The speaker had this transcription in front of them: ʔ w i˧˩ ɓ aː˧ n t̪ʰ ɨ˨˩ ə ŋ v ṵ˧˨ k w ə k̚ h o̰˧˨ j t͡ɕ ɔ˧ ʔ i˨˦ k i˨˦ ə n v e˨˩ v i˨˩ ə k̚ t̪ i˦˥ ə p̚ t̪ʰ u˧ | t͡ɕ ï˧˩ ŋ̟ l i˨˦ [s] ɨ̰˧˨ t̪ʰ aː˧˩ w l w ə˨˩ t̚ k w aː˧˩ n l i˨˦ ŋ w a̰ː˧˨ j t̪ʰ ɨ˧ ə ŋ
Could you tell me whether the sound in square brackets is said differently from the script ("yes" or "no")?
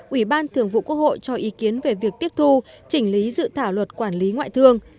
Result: yes